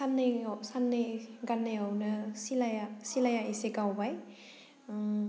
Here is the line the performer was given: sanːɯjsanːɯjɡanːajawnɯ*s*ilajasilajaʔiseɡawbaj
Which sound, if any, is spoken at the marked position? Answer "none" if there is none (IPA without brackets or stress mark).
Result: s